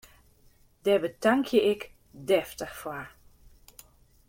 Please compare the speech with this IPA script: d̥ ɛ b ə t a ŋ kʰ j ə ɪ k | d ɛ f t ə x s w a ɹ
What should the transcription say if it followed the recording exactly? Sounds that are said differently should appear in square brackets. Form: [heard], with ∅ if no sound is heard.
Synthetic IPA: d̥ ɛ b ə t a ŋ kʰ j ə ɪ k | d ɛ f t ə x [f] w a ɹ